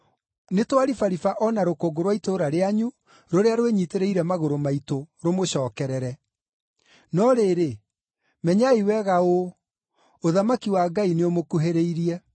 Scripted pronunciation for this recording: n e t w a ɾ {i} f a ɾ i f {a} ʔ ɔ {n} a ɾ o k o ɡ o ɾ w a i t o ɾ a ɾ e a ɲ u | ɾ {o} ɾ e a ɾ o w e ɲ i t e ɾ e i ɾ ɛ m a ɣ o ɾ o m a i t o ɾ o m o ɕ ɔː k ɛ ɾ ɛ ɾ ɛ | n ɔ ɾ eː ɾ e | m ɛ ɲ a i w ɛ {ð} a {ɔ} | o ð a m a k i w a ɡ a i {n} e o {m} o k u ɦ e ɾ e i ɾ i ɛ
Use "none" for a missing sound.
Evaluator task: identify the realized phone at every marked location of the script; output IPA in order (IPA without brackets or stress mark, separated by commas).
i, a, n, o, ɣ, o, n, m